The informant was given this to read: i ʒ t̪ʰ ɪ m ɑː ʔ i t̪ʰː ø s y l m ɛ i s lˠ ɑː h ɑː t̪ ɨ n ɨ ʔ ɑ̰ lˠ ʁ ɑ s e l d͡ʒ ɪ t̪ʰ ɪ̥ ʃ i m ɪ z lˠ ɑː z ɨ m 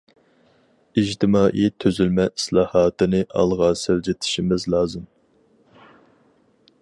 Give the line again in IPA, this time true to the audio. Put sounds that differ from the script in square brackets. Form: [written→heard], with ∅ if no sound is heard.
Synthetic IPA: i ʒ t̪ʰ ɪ m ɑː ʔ i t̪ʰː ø [s→z] y l m ɛ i s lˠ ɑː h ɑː t̪ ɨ n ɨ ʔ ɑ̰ lˠ ʁ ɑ s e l d͡ʒ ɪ t̪ʰ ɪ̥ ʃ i m ɪ z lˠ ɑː z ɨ m

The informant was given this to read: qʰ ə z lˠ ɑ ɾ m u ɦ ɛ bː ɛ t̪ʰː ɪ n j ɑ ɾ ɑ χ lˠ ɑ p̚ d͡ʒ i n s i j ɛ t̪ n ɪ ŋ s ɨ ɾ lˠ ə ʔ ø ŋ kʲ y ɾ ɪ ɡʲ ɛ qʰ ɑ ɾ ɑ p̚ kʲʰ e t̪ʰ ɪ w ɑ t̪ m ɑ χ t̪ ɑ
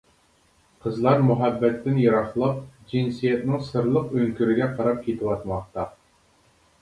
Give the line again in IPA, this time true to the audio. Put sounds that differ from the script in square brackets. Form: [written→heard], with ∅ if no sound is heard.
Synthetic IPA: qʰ ə z lˠ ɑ ɾ m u ɦ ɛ bː ɛ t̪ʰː ɪ n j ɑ ɾ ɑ χ lˠ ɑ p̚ d͡ʒ i n s i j ɛ t̪ n ɪ ŋ s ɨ ɾ lˠ ə [ʔ→q] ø ŋ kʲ y ɾ ɪ ɡʲ ɛ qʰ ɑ ɾ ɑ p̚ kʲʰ e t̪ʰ ɪ w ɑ t̪ m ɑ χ t̪ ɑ

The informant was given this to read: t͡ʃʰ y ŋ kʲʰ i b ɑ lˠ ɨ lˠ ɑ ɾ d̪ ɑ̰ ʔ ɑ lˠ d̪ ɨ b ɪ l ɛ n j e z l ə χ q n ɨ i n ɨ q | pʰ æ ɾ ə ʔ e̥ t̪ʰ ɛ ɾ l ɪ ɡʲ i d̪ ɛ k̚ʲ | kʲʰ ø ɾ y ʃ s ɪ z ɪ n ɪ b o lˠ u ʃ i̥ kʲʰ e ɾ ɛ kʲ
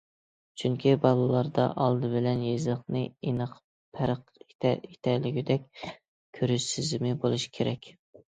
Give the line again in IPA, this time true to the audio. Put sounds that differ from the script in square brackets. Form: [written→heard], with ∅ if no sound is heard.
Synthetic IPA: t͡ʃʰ y ŋ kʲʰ i b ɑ lˠ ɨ lˠ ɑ ɾ d̪ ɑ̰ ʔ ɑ lˠ d̪ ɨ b ɪ l ɛ n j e z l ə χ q n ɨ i n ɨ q | pʰ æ ɾ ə [ʔ→q] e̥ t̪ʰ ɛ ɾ l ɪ ɡʲ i d̪ ɛ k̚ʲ | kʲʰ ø ɾ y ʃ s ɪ z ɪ [n→m] ɪ b o lˠ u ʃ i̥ kʲʰ e ɾ ɛ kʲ

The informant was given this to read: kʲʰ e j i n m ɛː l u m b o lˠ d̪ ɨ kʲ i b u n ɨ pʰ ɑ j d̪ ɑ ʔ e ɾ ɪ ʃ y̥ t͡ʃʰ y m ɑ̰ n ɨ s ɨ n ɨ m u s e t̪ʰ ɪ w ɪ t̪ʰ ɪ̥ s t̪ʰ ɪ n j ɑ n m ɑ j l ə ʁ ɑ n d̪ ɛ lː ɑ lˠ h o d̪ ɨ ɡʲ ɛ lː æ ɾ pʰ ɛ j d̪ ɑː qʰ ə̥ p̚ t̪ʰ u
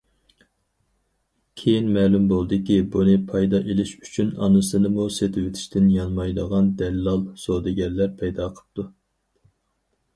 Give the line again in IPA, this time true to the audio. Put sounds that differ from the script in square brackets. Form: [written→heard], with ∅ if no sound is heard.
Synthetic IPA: kʲʰ e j i n m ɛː l u m b o lˠ d̪ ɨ kʲ i b u n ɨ pʰ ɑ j d̪ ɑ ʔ e [ɾ→l] ɪ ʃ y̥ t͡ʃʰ y [m→n] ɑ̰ n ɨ s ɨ n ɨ m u s e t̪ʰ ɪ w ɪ t̪ʰ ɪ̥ [s→ʃ] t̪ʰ ɪ n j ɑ n m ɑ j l ə ʁ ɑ n d̪ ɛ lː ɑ lˠ [h→s] o d̪ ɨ ɡʲ ɛ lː æ ɾ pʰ ɛ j d̪ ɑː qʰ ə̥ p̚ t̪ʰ u

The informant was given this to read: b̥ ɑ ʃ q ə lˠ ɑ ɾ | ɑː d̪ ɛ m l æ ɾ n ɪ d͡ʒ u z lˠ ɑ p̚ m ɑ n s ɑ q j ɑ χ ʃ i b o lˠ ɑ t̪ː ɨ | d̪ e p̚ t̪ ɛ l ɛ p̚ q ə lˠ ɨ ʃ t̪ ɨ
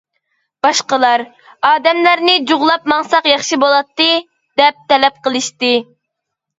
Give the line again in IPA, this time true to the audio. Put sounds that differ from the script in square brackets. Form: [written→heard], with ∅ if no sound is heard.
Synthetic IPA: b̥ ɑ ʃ q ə lˠ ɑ ɾ | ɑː d̪ ɛ m l æ ɾ n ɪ d͡ʒ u [z→ʁ] lˠ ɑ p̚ m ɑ [n→ŋ] s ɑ q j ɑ χ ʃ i b o lˠ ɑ t̪ː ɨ | d̪ [e→ɛ] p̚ t̪ ɛ l ɛ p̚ q ə lˠ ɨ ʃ t̪ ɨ

